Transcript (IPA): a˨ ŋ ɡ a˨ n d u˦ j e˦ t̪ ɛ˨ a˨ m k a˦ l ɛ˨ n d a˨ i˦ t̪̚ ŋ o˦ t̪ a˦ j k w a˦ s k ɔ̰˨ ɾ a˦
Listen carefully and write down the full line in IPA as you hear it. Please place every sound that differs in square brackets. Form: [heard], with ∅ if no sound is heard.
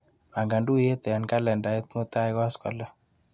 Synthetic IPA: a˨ ŋ ɡ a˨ n d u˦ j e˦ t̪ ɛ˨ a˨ [n] k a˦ l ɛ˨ n d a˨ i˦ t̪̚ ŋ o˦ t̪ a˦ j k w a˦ s k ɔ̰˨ [l] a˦